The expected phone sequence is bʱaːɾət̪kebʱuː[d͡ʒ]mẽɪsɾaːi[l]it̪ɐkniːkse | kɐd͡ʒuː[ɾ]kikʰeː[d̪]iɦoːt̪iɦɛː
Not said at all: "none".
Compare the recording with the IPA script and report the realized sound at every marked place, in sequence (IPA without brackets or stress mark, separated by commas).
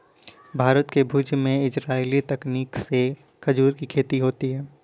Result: d͡ʒ, l, ɾ, t̪